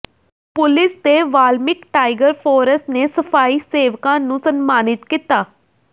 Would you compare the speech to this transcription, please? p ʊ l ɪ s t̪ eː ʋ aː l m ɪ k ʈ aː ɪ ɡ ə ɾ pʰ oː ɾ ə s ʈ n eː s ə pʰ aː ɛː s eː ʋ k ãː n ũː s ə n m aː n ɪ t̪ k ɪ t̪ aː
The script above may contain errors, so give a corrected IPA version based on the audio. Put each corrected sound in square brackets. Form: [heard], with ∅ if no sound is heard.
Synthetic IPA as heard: p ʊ l ɪ s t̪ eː ʋ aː l m ɪ k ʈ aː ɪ ɡ ə ɾ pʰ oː ɾ ə s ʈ n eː s ə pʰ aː [iː] s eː ʋ k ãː n ũː s ə n m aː n ɪ t̪ k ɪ t̪ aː